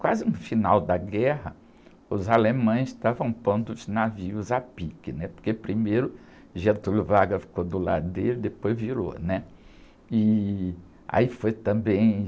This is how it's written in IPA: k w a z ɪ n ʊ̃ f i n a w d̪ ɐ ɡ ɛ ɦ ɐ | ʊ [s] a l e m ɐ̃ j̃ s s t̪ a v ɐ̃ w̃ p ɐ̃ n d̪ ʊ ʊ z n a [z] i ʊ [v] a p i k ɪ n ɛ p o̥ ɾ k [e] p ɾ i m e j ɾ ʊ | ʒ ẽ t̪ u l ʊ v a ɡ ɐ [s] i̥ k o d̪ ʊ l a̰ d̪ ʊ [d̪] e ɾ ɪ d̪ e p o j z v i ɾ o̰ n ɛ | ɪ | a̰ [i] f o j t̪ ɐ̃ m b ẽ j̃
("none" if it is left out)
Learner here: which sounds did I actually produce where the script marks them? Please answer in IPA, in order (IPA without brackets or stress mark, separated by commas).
z, v, z, e, f, d̪, i